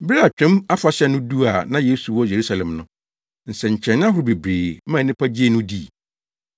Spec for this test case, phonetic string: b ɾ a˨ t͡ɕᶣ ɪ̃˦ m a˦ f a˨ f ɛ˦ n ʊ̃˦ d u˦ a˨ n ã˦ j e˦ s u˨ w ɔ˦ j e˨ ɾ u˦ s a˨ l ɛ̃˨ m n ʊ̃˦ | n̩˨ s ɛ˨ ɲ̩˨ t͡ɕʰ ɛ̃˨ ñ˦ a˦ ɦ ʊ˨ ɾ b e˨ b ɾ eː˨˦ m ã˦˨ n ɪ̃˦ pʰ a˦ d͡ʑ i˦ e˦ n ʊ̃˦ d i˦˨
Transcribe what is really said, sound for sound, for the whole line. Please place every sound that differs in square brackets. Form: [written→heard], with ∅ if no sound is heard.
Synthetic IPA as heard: b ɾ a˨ t͡ɕᶣ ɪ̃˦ m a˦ f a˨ [f→ɕ] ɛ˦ n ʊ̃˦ d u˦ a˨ n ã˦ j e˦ s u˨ w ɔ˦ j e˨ ɾ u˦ s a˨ l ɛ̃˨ m n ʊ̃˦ | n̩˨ s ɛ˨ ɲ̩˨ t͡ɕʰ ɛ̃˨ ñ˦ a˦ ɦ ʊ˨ ɾ b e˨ b ɾ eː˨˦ m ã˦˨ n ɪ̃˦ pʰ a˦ d͡ʑ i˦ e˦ n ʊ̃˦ d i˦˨

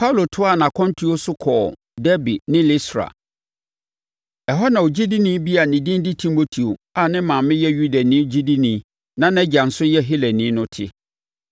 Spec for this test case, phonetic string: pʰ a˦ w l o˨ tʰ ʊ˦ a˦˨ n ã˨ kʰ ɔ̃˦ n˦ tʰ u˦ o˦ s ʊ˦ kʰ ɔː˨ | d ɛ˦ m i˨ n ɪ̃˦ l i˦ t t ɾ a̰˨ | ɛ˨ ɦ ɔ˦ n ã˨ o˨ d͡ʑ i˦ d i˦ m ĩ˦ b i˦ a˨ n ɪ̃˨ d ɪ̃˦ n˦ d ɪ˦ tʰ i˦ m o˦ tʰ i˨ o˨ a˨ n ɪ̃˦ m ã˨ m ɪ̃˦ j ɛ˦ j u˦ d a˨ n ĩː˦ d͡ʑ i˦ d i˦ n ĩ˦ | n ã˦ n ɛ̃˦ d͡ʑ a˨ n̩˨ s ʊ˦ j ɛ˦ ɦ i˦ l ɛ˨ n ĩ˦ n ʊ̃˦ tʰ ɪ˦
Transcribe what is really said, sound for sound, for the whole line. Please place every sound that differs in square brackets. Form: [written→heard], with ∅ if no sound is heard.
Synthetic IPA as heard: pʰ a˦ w l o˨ tʰ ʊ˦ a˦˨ n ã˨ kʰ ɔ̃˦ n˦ tʰ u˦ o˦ s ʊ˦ kʰ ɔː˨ | d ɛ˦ [m→b] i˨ n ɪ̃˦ l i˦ [t→s] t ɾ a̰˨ | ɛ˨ ɦ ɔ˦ n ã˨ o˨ d͡ʑ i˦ d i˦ [m→n] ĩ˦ b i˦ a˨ n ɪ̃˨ d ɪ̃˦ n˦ d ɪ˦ tʰ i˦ m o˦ tʰ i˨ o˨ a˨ n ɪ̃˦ m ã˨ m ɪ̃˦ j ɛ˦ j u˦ d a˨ n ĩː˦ d͡ʑ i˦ d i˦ n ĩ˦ | n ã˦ n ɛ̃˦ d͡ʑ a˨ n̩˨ s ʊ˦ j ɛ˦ ɦ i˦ l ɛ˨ n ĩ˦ n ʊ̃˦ tʰ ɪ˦

